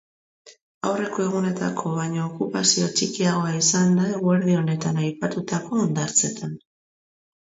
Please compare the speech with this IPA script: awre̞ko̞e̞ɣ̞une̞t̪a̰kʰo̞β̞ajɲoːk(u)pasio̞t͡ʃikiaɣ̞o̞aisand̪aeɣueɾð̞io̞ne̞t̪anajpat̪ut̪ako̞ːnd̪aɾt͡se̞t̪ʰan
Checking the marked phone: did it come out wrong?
no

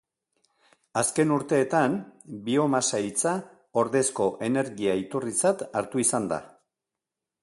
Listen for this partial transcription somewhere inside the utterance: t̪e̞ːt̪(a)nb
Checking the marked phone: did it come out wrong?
no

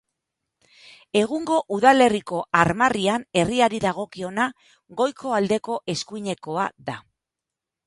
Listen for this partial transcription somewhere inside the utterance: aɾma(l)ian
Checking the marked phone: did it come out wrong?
yes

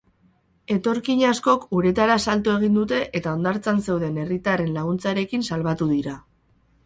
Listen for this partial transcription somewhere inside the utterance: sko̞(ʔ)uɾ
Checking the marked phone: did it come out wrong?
yes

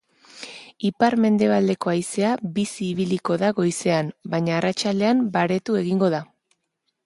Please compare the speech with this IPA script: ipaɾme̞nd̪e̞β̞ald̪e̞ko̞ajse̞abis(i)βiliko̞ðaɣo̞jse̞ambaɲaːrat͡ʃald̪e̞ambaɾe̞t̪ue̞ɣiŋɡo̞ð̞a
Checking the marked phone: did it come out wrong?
yes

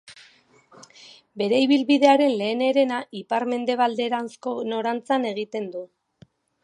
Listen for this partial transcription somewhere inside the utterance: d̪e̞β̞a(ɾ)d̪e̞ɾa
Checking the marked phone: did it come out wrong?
yes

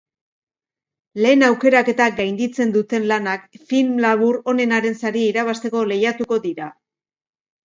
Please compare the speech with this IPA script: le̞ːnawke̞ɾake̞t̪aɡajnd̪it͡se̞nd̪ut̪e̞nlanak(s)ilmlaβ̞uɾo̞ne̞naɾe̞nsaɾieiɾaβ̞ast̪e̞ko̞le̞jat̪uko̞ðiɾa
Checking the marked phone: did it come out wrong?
yes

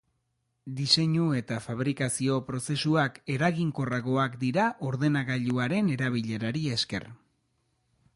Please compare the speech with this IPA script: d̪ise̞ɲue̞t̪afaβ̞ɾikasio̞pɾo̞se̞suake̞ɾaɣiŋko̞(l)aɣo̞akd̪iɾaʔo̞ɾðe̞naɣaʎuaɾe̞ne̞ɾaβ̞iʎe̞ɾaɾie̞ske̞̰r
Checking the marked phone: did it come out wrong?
yes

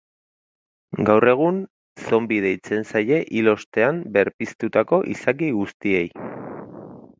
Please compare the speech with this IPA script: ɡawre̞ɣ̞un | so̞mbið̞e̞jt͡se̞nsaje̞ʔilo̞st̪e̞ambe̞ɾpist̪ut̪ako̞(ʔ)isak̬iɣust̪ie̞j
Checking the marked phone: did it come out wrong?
no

